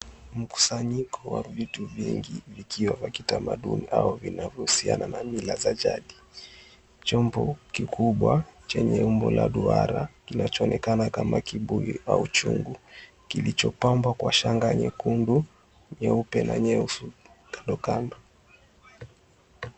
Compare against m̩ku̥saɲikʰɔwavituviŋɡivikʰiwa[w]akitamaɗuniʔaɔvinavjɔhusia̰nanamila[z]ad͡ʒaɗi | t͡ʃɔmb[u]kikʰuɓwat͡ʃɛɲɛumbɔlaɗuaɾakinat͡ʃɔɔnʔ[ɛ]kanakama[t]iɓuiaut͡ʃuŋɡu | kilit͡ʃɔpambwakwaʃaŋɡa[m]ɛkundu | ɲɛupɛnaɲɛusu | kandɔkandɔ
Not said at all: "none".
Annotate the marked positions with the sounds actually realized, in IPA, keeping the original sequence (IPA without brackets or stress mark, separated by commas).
v, z, ɔ, ɛ, k, ɲ